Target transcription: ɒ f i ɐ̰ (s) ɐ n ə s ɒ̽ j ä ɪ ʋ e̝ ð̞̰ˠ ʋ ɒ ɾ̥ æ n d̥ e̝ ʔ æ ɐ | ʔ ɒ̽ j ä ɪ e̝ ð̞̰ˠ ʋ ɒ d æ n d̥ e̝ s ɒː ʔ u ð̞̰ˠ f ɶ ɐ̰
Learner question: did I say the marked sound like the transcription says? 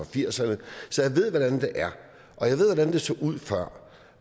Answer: yes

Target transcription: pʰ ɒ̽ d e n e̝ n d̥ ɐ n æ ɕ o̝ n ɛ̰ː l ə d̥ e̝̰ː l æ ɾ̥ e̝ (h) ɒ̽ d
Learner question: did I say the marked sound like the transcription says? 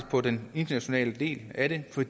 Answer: no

